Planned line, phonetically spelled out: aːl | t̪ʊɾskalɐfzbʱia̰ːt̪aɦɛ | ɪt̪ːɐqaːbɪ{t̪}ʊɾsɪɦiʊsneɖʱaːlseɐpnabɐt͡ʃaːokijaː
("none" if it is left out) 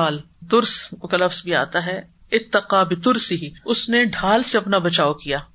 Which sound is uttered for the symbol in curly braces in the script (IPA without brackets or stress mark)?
t̪